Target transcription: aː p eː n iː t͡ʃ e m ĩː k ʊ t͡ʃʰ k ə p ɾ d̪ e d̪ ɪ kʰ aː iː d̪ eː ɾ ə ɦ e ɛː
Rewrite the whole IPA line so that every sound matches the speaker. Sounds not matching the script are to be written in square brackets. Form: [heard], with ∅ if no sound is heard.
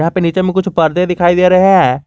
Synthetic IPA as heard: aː p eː n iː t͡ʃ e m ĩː k ʊ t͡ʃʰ [p] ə [∅] ɾ d̪ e d̪ ɪ kʰ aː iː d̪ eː ɾ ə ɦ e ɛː